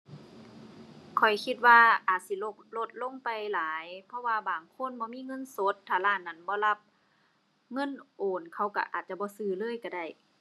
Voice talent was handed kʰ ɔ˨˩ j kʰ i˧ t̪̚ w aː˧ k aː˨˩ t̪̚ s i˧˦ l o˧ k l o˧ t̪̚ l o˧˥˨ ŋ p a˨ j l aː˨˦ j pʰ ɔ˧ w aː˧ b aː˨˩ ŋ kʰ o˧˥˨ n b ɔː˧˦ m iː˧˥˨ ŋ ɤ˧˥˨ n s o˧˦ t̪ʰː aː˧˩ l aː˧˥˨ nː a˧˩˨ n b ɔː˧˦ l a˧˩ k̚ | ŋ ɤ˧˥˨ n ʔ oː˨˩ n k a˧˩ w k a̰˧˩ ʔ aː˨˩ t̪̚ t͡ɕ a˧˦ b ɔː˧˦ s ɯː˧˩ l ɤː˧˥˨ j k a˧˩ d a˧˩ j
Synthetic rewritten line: kʰ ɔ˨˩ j kʰ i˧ t̪̚ w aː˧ ʔ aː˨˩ t̪̚ s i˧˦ l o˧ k l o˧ t̪̚ l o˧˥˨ ŋ p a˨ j l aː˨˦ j pʰ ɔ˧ w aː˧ b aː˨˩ ŋ kʰ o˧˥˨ n b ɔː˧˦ m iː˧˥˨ ŋ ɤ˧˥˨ n s o˧˦ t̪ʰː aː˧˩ l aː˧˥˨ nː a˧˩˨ n b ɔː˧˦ l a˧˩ p̚ | ŋ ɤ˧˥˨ n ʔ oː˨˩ n kʰ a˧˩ w k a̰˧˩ ʔ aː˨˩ t̪̚ t͡ɕ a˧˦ b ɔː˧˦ s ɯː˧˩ l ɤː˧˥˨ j k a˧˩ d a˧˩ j

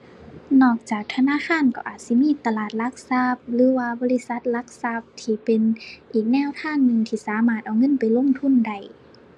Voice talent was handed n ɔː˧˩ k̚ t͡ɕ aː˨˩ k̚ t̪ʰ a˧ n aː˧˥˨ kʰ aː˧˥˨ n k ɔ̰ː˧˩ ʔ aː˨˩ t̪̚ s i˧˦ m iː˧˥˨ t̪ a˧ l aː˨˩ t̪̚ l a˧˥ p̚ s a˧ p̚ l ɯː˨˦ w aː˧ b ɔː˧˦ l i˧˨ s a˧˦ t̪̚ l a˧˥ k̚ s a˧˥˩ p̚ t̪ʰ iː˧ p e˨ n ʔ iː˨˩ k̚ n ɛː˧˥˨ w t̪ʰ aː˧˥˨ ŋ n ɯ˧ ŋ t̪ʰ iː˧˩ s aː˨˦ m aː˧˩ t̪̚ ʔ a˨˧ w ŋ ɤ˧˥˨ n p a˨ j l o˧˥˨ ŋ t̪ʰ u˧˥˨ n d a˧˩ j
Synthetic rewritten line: n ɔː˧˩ k̚ t͡ɕ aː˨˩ k̚ t̪ʰ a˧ n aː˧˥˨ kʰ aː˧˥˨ n k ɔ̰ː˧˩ ʔ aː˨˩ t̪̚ s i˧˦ m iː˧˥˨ t̪ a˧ l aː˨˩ t̪̚ l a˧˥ k̚ s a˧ p̚ l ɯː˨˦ w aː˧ b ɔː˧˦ l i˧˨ s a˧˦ t̪̚ l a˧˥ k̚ s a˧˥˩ p̚ t̪ʰ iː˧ p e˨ n ʔ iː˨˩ k̚ n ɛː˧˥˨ w t̪ʰ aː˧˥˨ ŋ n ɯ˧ ŋ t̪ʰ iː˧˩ s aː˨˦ m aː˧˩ t̪̚ ʔ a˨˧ w ŋ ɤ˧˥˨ n p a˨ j l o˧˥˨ ŋ t̪ʰ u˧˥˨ n d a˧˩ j

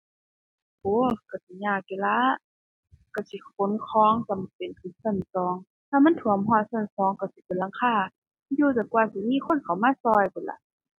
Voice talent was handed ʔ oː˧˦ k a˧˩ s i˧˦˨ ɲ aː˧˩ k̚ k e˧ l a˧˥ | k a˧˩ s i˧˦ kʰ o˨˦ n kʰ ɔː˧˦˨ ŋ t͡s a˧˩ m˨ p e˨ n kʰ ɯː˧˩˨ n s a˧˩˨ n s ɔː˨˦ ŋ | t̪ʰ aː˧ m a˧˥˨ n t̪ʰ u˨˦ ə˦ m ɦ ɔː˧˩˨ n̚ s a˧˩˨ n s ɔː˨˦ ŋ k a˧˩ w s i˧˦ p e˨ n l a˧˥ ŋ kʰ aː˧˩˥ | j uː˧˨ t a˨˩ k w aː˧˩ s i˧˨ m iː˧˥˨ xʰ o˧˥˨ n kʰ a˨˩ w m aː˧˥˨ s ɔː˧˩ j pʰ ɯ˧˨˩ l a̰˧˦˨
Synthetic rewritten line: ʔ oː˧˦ k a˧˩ s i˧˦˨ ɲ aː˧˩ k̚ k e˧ l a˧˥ | k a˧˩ s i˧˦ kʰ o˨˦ n kʰ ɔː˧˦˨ ŋ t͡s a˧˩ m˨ p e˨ n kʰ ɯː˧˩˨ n s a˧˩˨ n s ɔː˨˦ ŋ | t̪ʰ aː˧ m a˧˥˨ n t̪ʰ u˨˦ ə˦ m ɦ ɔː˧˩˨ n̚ s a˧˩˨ n s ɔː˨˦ ŋ k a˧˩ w s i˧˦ p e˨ n l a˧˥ ŋ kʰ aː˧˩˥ | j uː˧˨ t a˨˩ k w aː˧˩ s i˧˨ m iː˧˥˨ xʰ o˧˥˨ n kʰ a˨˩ w m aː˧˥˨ s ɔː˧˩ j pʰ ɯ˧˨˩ l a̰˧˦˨

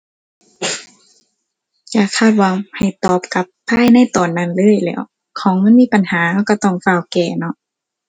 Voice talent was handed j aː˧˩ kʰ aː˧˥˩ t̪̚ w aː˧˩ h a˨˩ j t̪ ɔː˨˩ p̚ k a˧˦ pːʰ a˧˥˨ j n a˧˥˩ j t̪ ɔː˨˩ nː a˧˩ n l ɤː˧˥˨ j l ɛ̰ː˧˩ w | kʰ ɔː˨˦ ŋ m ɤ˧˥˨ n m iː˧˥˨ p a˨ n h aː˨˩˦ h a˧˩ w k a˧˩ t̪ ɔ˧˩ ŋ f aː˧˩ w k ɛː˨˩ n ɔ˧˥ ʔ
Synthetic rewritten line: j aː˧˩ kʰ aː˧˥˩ t̪̚ w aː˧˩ h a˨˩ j t̪ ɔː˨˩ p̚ k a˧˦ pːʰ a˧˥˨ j n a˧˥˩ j t̪ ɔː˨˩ nː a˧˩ n l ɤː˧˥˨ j l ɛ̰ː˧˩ w | kʰ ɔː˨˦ ŋ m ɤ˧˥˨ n m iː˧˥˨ p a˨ n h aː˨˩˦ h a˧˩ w k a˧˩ t̪ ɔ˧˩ ŋ f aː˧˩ w k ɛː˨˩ n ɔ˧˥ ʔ

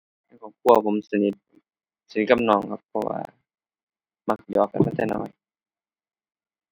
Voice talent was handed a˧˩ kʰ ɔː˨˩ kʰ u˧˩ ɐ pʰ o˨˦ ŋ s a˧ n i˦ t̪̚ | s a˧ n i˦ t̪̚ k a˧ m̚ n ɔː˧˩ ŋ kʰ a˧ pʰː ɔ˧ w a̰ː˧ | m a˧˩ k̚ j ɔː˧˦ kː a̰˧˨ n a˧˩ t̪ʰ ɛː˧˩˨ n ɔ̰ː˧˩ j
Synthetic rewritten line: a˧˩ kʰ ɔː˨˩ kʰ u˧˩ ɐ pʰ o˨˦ m s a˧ n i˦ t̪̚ | s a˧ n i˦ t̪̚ k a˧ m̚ n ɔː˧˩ ŋ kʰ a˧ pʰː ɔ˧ w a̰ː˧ | m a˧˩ k̚ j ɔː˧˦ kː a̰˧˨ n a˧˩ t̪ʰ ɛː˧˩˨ n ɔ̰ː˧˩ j

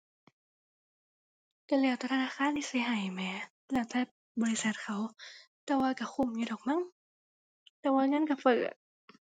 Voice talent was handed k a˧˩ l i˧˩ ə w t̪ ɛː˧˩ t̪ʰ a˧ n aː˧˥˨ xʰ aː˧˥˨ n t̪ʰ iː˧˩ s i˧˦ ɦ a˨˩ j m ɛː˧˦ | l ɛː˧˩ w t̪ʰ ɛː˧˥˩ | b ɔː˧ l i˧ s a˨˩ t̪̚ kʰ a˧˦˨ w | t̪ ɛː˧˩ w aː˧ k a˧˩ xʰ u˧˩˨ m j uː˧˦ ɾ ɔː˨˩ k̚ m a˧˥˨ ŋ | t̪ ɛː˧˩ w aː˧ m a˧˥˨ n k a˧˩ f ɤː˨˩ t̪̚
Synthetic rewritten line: k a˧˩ l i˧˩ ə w t̪ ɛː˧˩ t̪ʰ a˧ n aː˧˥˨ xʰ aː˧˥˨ n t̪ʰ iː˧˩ s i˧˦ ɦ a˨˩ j m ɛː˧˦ | l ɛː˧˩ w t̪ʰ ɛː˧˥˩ | b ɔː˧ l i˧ s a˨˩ t̪̚ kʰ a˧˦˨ w | t̪ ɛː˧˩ w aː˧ k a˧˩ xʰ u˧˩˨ m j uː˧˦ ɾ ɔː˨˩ k̚ m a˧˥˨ ŋ | t̪ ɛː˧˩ w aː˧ ŋ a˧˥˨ n k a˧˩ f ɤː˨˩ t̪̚

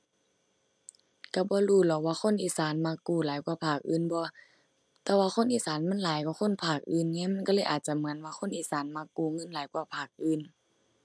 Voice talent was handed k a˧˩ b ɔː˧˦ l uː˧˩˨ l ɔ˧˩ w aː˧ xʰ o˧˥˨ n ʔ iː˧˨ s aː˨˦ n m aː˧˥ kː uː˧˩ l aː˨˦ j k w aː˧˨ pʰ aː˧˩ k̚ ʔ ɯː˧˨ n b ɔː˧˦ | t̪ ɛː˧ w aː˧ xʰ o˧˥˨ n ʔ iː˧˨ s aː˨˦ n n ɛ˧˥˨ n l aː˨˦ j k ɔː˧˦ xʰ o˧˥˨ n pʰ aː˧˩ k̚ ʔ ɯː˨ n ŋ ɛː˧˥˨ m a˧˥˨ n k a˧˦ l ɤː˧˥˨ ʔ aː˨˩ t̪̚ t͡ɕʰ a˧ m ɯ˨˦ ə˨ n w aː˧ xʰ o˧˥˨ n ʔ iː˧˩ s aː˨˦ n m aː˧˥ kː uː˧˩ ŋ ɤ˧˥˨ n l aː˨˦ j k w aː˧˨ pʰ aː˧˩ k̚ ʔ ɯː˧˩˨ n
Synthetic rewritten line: k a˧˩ b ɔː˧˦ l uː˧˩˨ l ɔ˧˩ w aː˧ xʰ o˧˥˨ n ʔ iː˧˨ s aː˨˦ n m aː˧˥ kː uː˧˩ l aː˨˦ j k w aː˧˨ pʰ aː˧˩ k̚ ʔ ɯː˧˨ n b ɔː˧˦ | t̪ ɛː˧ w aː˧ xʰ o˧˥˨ n ʔ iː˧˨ s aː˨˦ n m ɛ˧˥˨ n l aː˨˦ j k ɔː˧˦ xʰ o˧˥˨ n pʰ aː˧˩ k̚ ʔ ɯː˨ n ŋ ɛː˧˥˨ m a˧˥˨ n k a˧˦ l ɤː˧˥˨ ʔ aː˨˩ t̪̚ t͡ɕ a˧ m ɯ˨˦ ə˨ n w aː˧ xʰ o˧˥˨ n ʔ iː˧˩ s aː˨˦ n m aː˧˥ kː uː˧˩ ŋ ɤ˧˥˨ n l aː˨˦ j k w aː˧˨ pʰ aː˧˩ k̚ ʔ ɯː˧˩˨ n

